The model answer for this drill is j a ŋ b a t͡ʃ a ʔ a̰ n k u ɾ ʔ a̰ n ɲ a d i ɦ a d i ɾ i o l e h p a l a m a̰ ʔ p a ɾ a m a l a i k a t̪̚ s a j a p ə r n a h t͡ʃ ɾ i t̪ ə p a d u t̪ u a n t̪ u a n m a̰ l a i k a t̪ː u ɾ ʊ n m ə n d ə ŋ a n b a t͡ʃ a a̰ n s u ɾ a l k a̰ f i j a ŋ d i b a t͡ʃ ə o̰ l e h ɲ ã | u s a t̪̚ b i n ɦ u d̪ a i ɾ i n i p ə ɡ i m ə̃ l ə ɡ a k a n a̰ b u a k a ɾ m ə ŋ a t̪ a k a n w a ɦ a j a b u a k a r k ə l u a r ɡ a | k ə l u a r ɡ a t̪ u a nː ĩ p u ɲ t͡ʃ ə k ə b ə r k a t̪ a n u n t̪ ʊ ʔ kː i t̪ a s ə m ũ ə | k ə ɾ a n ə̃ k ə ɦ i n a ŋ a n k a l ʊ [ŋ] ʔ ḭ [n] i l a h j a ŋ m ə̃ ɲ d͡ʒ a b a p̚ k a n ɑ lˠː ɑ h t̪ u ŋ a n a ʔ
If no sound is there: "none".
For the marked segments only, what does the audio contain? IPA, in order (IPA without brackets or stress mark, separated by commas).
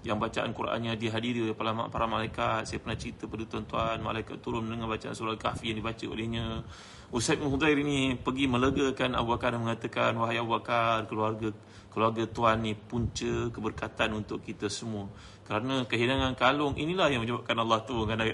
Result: ŋ, n